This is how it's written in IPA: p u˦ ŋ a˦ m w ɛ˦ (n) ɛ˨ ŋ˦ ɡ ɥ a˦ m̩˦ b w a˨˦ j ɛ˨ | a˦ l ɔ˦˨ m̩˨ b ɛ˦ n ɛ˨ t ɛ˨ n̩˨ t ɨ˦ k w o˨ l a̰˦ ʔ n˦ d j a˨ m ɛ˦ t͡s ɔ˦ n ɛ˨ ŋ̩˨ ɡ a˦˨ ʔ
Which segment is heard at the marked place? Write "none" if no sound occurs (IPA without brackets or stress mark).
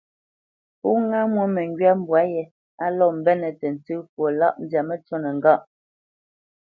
m